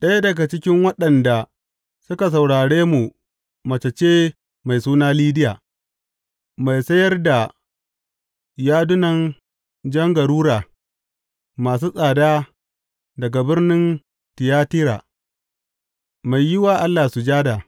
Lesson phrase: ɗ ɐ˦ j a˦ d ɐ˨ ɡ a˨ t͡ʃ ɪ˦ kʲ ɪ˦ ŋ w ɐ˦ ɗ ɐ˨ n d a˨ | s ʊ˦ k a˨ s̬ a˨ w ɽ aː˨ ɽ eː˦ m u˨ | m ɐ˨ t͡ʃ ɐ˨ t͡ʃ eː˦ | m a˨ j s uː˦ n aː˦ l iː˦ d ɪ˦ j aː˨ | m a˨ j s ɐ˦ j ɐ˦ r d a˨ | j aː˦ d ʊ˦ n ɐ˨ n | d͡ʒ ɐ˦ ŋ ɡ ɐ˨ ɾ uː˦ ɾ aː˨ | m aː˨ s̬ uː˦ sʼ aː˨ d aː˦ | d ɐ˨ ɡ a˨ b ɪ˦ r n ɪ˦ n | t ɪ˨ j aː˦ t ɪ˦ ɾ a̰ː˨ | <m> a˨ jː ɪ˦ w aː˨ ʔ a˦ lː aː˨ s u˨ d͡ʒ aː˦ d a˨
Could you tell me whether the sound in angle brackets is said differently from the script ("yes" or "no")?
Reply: no